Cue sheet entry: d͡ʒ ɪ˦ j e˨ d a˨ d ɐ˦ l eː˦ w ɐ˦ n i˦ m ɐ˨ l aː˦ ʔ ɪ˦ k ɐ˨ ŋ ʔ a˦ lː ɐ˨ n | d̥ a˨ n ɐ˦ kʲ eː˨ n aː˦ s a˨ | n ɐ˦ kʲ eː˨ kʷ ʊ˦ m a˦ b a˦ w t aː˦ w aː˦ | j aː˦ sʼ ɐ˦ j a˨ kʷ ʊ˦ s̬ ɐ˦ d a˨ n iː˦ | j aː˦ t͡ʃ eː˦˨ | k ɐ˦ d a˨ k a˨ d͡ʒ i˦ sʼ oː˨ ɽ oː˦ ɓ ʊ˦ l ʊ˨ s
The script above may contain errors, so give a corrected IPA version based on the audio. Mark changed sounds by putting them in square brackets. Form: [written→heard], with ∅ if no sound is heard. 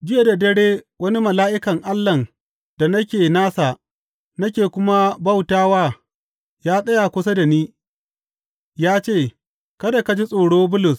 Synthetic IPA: d͡ʒ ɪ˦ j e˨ d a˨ d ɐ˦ [l→ɽ] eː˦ w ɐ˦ n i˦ m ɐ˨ l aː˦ ʔ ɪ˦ k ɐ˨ ŋ ʔ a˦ lː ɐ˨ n | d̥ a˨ n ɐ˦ kʲ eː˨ n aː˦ s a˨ | n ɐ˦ kʲ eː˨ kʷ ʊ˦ m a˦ b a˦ w t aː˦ w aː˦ | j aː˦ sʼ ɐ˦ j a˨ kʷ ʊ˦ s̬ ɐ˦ d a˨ n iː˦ | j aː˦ t͡ʃ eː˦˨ | k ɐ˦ d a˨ k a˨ d͡ʒ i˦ sʼ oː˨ ɽ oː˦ [ɓ→b] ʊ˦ l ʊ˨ s